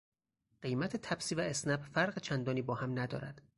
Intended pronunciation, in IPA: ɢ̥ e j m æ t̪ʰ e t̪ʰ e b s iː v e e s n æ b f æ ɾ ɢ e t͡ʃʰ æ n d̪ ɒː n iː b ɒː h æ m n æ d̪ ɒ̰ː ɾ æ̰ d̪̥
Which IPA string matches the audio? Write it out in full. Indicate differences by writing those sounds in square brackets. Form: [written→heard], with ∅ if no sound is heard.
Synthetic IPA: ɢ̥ e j m æ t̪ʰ e t̪ʰ [e→æ] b s iː v [e→æ] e s n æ b f æ ɾ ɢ e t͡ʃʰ æ n d̪ ɒː n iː b ɒː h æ m n æ d̪ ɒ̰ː ɾ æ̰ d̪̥